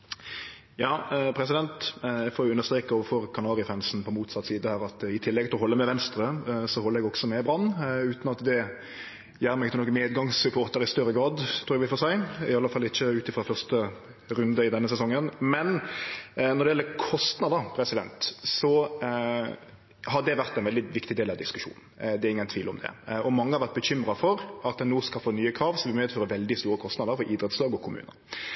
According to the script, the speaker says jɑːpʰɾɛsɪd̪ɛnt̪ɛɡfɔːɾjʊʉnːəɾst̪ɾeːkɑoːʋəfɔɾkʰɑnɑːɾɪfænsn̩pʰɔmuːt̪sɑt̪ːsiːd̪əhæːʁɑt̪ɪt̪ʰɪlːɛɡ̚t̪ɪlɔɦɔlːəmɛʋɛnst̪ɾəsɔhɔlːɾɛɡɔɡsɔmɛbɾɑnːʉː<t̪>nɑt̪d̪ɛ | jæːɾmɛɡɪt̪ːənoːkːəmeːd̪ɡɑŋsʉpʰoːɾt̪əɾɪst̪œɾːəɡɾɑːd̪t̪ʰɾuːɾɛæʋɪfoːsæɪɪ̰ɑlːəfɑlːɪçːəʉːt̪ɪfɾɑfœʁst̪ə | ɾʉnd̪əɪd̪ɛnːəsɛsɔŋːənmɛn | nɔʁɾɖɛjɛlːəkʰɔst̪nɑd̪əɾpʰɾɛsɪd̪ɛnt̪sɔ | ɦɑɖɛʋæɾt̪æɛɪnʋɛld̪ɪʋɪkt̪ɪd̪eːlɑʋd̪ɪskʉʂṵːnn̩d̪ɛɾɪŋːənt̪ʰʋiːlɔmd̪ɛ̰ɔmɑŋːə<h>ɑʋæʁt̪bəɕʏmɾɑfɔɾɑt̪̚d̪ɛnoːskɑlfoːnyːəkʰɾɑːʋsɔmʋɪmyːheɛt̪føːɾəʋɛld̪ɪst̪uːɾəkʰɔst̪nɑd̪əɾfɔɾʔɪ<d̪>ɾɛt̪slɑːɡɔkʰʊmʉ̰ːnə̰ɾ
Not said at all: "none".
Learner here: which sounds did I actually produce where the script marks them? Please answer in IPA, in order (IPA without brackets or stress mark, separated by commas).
t̪, h, d̪